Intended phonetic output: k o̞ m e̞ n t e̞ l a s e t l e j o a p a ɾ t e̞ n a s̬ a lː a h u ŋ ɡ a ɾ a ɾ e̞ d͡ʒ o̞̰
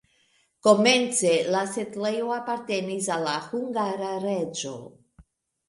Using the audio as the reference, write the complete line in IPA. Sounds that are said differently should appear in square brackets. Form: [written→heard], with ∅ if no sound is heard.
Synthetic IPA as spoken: k o̞ m e̞ n [t→t͡s] e̞ l a s e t l e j o a p a ɾ t e̞ n [a→i] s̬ a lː a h u ŋ ɡ a ɾ a ɾ e̞ d͡ʒ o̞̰